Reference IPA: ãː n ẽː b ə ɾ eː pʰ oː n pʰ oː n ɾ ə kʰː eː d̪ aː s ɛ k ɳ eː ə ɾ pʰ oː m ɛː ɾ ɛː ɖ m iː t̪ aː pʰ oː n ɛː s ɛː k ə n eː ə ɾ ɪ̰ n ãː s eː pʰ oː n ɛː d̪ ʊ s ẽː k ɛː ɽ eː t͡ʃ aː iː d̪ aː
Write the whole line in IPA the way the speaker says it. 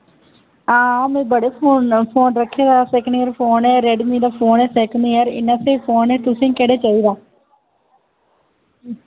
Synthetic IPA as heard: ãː m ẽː b ə ɽ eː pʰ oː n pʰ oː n ɾ ə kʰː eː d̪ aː s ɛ k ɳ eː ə ɾ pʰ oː n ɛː ɾ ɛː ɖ m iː d̪ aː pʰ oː n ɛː s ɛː k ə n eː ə ɾ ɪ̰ n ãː s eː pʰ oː n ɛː t̪ ʊ s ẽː k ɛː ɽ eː t͡ʃ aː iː d̪ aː